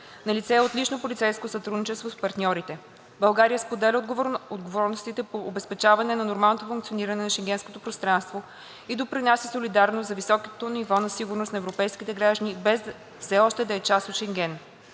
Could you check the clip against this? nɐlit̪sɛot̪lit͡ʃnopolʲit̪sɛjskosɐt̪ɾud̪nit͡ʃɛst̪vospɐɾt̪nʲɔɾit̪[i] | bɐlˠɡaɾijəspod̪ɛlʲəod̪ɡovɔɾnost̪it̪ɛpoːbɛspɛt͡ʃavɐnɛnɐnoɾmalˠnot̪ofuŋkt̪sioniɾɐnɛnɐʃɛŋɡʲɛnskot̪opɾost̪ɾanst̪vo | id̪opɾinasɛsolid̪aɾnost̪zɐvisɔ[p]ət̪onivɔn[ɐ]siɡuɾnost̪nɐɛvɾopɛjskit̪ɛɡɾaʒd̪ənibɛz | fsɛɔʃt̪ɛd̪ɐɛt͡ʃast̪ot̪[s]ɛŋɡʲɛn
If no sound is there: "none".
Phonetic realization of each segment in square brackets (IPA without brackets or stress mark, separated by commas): ɛ, k, ɐ, ʃ